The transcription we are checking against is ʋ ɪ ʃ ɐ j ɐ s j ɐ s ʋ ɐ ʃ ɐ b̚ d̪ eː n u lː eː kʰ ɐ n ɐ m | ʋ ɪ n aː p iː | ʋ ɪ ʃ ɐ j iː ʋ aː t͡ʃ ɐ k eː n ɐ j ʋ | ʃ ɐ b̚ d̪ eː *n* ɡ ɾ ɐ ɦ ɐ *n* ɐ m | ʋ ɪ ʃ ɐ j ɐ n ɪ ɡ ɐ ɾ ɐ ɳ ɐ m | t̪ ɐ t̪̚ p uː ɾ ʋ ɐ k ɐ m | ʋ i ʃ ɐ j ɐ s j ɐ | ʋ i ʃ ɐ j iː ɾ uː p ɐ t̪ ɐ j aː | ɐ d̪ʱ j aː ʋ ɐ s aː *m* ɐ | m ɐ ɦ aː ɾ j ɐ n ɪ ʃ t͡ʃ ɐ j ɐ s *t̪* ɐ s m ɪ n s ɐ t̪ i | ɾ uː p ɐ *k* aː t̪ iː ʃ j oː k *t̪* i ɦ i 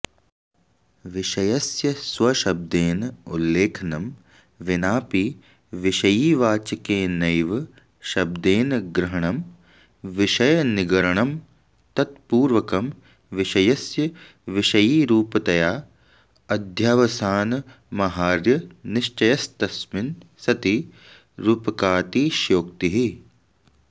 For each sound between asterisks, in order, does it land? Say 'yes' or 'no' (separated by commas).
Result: yes, no, no, yes, yes, yes